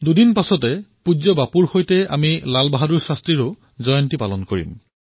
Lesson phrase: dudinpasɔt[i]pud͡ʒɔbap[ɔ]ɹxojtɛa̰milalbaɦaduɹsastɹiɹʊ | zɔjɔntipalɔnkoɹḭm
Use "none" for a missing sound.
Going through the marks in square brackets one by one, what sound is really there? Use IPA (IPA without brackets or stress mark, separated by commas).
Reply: ɛ, u